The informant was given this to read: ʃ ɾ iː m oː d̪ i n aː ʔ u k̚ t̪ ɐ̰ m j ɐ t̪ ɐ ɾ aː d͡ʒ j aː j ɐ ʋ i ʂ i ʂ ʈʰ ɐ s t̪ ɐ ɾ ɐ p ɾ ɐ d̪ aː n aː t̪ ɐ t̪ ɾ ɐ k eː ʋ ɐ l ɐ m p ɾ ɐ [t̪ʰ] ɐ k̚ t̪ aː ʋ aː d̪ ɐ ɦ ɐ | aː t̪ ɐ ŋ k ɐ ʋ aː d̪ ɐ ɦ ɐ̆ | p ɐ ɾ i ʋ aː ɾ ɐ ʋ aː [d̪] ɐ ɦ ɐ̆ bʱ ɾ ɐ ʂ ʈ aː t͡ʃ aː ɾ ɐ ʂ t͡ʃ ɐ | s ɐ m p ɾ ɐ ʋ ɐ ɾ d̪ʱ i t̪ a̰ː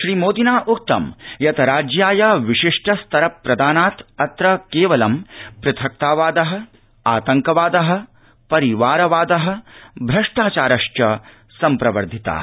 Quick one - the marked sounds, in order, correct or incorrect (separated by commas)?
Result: correct, correct